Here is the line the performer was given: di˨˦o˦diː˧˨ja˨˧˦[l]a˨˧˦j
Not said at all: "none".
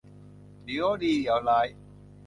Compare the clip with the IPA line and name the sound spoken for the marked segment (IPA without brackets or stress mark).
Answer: l